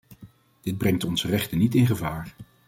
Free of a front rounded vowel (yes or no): yes